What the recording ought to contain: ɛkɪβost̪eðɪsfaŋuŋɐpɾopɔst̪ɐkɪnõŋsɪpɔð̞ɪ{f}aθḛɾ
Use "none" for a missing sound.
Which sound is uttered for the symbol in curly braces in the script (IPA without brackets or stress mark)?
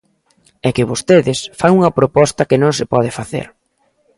f